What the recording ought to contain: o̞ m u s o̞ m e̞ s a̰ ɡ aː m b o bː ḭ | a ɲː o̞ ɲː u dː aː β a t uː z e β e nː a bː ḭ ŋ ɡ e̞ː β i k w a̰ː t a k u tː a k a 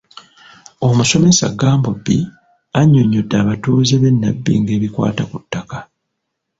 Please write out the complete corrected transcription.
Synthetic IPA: o̞ m u s o̞ m e̞ s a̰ ɡ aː m b o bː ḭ | a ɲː o̞ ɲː o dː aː β a t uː z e β e nː a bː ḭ ŋ ɡ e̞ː β i k w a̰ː t a k u tː a k a